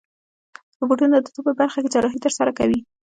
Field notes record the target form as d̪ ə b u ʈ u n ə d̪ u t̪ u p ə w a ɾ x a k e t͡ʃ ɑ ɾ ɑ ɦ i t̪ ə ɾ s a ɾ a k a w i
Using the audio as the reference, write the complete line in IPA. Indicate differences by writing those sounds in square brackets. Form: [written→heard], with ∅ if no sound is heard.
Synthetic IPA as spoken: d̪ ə b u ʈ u n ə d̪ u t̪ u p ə [w→b] a ɾ x a k e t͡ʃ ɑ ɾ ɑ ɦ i t̪ ə ɾ s a ɾ a k a w i